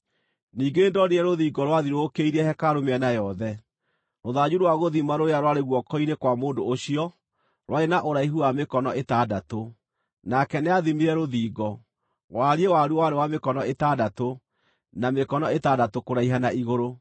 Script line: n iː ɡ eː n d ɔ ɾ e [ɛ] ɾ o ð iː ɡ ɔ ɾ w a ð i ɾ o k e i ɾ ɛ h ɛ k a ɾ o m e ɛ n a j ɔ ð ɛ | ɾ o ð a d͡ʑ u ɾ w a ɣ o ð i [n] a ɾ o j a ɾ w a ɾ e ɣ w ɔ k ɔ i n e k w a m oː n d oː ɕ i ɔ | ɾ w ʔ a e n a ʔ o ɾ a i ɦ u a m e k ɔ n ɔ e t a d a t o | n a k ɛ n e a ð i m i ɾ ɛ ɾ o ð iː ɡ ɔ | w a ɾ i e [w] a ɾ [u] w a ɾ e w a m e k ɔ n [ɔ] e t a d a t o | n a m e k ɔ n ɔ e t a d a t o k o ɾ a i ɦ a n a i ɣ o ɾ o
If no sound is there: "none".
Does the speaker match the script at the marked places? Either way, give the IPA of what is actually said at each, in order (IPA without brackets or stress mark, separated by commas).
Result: ɛ, m, w, u, ɔ